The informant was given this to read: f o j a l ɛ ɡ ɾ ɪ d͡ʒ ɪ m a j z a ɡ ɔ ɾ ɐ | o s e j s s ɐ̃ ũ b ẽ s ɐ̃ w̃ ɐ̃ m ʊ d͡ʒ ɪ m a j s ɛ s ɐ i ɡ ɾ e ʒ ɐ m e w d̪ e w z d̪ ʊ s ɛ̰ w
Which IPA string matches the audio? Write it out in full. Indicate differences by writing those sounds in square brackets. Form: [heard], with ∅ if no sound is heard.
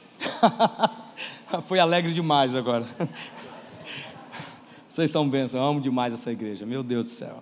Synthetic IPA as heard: f o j a l ɛ ɡ ɾ ɪ d͡ʒ ɪ m a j z a ɡ ɔ ɾ ɐ | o s e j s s ɐ̃ [w̃] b ẽ s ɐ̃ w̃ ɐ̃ m ʊ d͡ʒ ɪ m a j [z] ɛ s ɐ i ɡ ɾ e ʒ ɐ m e w d̪ e w z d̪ ʊ s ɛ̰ w